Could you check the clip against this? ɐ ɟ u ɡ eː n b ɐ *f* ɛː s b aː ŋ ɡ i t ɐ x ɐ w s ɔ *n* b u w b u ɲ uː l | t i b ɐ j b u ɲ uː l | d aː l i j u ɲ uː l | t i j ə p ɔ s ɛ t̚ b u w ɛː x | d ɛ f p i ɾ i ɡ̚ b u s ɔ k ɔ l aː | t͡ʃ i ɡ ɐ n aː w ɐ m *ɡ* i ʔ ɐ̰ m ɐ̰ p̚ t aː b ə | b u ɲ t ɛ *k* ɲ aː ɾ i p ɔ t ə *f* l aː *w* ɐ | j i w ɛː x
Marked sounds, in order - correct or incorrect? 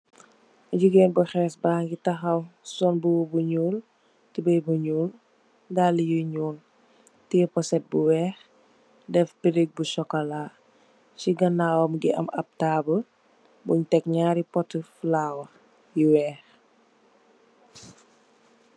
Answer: incorrect, correct, correct, correct, correct, correct

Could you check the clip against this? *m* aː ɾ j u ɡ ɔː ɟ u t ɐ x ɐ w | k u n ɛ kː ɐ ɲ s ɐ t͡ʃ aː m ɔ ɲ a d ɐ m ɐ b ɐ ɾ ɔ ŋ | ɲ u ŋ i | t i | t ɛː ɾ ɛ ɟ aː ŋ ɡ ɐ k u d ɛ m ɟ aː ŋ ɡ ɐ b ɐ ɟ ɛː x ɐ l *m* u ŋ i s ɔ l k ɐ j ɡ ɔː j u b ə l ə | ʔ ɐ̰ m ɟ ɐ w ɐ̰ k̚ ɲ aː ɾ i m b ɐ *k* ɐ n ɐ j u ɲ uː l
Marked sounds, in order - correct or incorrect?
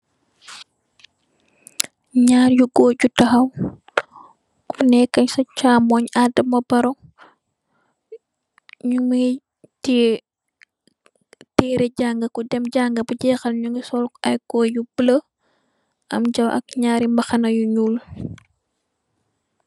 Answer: incorrect, incorrect, incorrect

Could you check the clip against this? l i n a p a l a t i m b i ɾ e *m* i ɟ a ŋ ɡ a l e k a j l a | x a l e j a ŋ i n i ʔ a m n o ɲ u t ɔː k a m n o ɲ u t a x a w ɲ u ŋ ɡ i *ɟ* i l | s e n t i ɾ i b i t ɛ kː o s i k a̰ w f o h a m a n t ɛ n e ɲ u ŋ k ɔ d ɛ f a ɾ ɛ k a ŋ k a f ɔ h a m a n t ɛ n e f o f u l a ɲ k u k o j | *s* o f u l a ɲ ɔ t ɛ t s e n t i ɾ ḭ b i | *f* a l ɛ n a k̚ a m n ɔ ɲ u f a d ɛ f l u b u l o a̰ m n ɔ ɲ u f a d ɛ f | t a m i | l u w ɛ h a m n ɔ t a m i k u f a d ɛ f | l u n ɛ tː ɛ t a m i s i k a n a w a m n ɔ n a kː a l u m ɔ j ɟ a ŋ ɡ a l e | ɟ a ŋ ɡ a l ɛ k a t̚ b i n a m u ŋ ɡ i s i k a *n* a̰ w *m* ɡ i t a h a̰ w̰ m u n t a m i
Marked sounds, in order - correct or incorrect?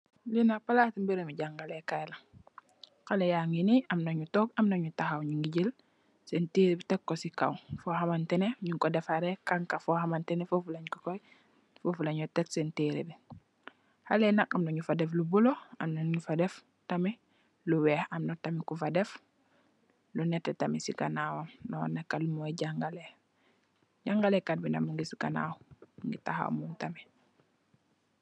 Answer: correct, correct, incorrect, incorrect, correct, incorrect

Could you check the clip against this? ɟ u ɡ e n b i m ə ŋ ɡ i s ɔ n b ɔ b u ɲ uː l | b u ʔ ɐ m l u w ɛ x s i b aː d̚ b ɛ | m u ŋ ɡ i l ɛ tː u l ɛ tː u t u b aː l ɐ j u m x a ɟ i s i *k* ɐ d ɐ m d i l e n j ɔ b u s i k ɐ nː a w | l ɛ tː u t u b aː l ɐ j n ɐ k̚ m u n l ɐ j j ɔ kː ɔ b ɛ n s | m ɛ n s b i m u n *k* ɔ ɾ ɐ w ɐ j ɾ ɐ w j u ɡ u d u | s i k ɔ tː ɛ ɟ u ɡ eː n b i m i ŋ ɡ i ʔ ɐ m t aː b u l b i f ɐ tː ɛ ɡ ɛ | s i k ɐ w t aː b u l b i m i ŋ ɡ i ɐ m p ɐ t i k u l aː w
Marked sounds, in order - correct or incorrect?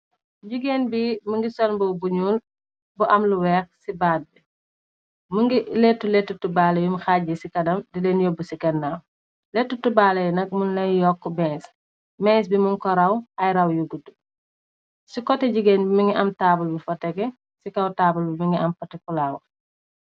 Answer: correct, correct

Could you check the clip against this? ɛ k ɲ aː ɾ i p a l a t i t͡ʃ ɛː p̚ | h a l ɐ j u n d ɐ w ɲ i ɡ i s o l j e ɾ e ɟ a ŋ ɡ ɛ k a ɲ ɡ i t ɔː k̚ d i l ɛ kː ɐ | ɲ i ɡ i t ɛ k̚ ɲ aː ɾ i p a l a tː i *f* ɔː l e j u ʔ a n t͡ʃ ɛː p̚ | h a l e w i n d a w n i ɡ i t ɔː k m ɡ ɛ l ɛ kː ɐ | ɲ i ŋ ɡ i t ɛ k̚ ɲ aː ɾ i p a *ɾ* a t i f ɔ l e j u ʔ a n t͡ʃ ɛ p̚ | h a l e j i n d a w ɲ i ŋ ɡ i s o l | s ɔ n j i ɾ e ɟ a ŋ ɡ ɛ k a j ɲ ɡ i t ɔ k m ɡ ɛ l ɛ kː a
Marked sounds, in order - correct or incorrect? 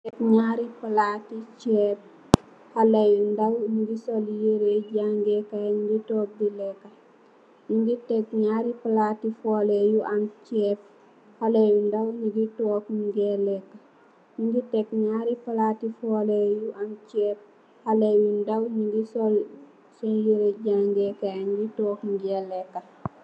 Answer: correct, incorrect

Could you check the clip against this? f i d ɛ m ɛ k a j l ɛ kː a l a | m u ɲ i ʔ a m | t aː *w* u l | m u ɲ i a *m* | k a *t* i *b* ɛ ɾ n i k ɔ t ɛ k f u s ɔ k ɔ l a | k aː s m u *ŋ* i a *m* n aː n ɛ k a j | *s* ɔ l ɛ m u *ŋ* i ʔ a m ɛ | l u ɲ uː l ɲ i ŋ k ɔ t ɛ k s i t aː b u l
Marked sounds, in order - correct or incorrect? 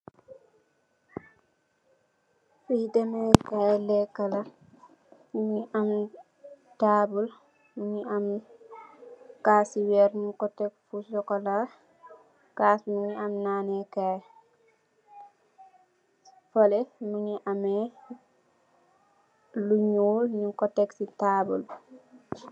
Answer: incorrect, correct, incorrect, incorrect, incorrect, correct, incorrect, incorrect

